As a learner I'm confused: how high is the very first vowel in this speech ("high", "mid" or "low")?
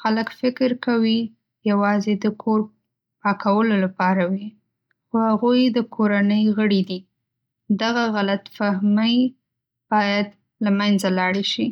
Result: low